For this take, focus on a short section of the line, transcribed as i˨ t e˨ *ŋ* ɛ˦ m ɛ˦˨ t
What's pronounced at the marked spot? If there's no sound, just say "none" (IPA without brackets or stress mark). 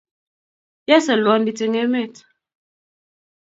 ŋ